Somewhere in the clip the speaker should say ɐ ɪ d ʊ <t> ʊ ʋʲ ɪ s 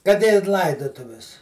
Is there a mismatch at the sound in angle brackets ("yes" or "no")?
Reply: no